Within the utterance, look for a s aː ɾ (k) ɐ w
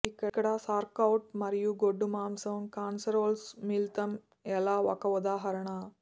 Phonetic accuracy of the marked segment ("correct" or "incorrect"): correct